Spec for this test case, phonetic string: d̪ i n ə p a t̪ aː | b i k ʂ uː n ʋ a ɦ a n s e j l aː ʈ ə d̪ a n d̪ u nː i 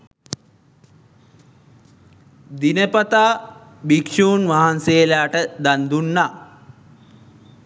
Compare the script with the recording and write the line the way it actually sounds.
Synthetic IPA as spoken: d̪ i n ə p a t̪ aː | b i k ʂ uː n ʋ a ɦ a n s e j l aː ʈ ə d̪ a n d̪ u nː a